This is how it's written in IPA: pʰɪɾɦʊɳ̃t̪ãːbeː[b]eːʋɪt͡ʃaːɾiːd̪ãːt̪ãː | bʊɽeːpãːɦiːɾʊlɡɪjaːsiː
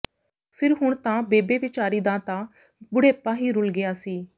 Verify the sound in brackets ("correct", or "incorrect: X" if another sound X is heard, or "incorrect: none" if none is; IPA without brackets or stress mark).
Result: correct